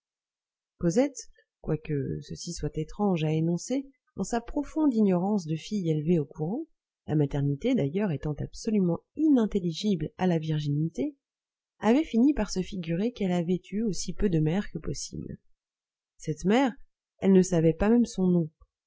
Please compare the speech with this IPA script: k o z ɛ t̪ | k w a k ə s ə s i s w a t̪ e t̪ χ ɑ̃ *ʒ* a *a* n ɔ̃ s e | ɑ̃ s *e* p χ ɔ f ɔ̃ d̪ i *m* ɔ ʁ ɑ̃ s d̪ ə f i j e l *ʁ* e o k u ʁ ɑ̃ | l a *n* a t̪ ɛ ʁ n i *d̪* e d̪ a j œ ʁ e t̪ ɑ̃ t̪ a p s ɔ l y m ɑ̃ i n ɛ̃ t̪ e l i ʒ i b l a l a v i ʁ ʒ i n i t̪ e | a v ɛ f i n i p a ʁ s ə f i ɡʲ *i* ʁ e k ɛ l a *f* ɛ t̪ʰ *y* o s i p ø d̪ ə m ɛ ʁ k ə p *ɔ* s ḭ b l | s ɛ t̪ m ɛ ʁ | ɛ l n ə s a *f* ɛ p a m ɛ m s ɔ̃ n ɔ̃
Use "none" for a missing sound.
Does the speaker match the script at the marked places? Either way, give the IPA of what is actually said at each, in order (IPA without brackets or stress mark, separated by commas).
ʒ, e, a, ɲ, v, m, t̪, y, v, y, ɔ, v